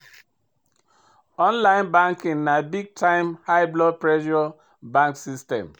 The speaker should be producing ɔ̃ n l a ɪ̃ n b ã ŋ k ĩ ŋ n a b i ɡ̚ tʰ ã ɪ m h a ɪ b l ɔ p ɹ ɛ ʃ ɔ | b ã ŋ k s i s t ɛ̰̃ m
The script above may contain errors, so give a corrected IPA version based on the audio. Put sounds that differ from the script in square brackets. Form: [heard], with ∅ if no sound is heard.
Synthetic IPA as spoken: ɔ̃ n l a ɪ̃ n b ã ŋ k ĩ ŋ n a b i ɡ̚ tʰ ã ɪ m h a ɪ b l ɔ p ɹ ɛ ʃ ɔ | b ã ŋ k s i s t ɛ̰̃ m